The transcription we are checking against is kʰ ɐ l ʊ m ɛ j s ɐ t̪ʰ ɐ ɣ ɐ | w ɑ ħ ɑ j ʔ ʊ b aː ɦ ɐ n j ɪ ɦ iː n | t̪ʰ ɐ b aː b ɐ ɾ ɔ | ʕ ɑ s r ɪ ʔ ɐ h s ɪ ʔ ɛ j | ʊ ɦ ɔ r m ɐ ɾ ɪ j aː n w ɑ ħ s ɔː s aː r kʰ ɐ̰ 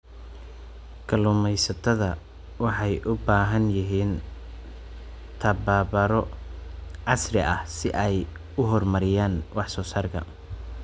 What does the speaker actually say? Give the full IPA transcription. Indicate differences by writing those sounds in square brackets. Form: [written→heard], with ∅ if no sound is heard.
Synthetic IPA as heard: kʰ ɐ l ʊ m ɛ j s ɐ t̪ʰ ɐ [ɣ→ð] ɐ | w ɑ ħ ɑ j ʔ ʊ b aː ɦ ɐ n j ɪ ɦ iː n | t̪ʰ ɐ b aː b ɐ ɾ ɔ | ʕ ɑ s r ɪ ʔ ɐ h s ɪ ʔ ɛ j | ʊ ɦ ɔ r m ɐ ɾ ɪ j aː n w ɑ ħ s ɔː s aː r kʰ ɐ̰